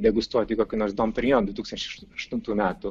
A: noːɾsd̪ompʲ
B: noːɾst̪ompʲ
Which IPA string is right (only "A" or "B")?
A